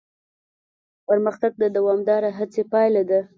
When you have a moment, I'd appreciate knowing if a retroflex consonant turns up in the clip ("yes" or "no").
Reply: no